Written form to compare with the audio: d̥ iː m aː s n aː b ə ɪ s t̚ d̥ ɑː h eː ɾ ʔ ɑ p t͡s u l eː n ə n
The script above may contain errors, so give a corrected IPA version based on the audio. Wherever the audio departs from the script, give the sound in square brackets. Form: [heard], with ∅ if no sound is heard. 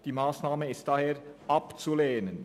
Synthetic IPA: d̥ iː m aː s n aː [m] ə ɪ s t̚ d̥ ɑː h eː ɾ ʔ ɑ p t͡s u l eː n ə n

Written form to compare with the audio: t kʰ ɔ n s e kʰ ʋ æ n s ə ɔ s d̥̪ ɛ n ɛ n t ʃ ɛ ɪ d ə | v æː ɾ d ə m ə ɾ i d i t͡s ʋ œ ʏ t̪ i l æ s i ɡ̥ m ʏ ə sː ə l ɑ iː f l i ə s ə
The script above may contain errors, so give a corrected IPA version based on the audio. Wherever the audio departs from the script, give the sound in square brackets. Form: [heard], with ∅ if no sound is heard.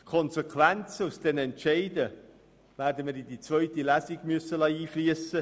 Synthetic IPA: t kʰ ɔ n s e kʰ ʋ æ n [t͡s] ə [u] s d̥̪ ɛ n ɛ n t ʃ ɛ ɪ d ə | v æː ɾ d ə m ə ɾ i d i t͡s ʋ œ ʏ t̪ i l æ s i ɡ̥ m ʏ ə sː ə l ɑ iː f l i ə s ə

